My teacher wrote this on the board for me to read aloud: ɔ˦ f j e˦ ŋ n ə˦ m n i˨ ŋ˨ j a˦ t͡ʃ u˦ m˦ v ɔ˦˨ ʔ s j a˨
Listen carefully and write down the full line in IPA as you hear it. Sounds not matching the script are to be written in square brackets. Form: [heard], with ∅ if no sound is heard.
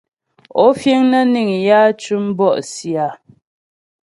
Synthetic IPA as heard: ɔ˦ f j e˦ ŋ n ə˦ [∅] n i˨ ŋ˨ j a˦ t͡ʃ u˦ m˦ [b] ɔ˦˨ ʔ s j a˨

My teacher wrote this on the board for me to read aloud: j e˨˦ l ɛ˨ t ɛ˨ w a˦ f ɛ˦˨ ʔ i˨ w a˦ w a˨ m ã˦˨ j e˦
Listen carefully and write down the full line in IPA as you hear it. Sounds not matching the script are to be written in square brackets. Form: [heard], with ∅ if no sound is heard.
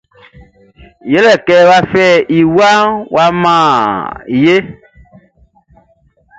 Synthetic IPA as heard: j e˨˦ l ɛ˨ [k] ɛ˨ w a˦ f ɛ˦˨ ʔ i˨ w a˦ w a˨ m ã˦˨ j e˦

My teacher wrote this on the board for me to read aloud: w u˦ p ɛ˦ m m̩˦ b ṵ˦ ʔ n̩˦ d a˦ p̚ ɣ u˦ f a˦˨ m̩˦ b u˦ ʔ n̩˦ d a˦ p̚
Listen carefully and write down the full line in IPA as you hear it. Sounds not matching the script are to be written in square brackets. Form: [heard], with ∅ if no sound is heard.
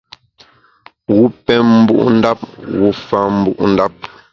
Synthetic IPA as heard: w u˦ p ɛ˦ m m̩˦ b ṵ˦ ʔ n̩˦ d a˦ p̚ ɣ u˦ f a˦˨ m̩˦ b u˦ ʔ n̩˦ d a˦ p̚

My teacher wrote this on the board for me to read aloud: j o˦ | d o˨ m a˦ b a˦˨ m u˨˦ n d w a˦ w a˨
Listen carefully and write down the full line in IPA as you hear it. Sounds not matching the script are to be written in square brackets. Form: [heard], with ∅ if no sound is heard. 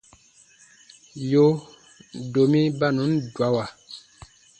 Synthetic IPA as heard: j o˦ | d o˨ m [i˦] b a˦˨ [n] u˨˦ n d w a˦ w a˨

